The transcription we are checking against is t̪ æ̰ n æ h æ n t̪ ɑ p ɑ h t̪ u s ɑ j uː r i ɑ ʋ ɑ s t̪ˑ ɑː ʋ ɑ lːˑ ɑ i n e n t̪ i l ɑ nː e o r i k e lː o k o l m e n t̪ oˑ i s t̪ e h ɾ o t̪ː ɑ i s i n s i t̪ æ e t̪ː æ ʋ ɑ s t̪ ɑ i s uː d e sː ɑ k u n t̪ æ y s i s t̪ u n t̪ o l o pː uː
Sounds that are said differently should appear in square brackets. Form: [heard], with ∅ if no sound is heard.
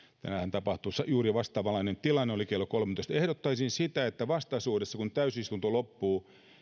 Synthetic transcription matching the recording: t̪ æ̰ n æ h æ n t̪ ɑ p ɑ h t̪ u s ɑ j uː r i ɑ ʋ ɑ s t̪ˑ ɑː ʋ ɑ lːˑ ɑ i n e n t̪ i l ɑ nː e o [l] i k e lː o k o l m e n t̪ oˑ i s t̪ e h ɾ o t̪ː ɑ i s i n s i t̪ æ e t̪ː æ ʋ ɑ s t̪ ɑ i s uː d e sː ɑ k u n t̪ æ y s i s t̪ u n t̪ o l o pː uː